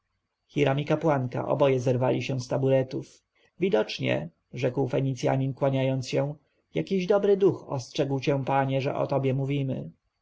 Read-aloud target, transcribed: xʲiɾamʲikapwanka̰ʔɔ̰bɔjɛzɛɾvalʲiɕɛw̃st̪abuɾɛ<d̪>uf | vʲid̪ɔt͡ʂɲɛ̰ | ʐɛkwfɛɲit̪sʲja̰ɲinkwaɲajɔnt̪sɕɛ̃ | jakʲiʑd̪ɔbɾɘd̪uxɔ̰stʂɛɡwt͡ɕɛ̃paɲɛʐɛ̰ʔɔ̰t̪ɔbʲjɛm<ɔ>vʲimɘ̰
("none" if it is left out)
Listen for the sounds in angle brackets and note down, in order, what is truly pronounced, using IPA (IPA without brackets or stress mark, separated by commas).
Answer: t̪, u